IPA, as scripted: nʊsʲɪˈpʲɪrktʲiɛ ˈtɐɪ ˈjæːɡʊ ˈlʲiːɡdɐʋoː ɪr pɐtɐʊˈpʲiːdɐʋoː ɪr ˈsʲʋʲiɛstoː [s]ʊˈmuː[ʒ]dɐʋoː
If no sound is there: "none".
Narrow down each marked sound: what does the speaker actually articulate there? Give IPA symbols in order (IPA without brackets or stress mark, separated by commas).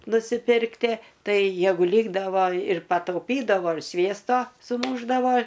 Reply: s, ʒ